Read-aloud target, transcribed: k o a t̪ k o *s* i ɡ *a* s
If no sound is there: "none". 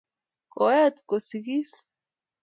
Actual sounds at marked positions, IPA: s, i

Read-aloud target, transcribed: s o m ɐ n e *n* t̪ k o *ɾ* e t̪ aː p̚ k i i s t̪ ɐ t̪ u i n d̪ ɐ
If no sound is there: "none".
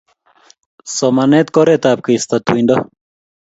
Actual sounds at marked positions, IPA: none, ɾ

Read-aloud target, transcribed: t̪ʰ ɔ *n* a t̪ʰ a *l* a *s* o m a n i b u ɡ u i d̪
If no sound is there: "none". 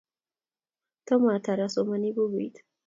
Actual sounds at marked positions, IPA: m, ɾ, s

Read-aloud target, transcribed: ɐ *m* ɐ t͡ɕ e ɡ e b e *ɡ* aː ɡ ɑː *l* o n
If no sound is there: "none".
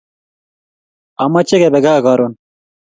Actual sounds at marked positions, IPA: m, ɡ, ɾ

